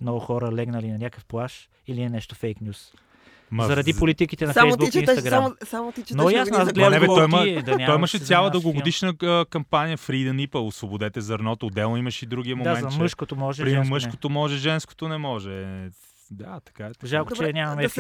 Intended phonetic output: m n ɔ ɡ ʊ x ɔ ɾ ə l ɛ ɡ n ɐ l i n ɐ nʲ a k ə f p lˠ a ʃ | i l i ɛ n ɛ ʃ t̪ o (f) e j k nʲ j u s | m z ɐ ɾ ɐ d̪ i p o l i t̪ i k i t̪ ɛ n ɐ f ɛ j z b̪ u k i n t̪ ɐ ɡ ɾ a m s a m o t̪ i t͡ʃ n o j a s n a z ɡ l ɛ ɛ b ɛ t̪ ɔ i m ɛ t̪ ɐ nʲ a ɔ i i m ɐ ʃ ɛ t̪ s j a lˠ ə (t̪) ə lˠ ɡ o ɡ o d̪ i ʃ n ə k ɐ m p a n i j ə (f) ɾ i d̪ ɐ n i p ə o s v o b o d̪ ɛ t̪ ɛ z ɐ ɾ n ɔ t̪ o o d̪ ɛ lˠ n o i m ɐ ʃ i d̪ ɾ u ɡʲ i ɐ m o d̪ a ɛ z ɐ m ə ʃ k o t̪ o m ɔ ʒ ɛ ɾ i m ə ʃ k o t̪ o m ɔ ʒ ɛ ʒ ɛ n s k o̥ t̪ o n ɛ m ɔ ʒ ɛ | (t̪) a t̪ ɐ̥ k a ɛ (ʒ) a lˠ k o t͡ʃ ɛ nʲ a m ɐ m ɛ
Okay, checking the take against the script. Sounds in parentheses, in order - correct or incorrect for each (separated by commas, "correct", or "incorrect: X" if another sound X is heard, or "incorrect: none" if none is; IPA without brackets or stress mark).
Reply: correct, incorrect: d̪, correct, incorrect: d̪, correct